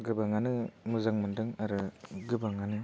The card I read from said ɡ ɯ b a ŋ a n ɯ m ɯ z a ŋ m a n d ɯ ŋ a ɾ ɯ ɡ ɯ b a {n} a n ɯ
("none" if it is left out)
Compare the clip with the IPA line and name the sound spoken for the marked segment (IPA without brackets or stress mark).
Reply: ŋ